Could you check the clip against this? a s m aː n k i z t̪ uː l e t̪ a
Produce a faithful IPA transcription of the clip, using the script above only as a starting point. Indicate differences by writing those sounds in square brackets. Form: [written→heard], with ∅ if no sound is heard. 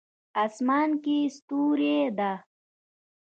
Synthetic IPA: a s m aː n k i [z→s] t̪ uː [l→ɾ] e [t̪→d̪] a